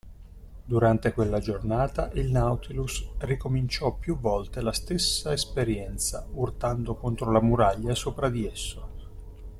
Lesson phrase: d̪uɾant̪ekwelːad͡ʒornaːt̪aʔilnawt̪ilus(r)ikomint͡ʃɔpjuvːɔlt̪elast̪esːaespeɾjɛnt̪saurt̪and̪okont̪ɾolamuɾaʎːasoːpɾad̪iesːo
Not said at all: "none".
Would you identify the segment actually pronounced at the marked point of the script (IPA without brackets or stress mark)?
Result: r